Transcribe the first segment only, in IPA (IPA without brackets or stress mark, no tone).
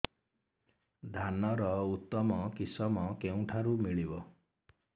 d̪ʱ